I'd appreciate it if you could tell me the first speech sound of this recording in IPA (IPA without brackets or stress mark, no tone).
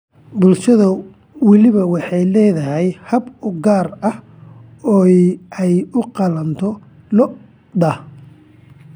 b